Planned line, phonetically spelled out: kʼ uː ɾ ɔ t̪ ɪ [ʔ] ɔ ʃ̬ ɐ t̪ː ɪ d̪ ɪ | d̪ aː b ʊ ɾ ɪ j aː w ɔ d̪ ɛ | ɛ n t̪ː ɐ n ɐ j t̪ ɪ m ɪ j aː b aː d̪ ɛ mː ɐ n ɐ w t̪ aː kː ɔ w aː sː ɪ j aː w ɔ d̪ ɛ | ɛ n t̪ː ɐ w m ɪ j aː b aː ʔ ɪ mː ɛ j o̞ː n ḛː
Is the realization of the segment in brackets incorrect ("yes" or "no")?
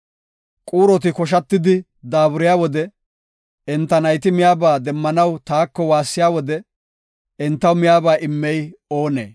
yes